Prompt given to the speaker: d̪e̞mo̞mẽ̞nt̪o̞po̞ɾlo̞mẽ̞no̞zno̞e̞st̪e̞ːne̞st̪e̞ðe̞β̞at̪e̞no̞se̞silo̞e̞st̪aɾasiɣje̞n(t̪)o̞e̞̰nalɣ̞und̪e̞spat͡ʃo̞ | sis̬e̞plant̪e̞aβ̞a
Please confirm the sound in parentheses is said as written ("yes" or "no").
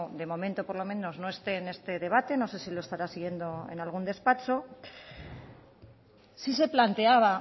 no